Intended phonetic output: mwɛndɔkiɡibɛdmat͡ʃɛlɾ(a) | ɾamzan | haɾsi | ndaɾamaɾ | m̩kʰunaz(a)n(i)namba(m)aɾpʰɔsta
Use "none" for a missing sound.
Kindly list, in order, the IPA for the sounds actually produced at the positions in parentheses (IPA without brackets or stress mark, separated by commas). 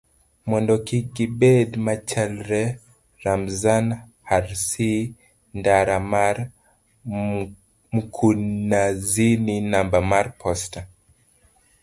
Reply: ɛ, i, i, m